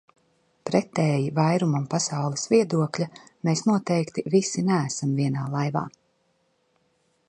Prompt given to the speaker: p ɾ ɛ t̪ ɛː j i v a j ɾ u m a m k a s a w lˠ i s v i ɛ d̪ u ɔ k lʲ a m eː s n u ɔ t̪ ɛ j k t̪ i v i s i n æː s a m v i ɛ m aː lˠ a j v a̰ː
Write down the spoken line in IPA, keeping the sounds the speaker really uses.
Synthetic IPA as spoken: p ɾ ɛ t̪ ɛː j i v a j ɾ u m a m p a s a w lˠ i s v i ɛ d̪ u ɔ k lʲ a m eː s n u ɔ t̪ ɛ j k t̪ i v i s i n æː s a m v i ɛ n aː lˠ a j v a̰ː